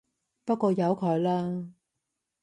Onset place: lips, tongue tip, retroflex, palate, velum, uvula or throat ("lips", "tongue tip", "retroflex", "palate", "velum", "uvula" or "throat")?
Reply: lips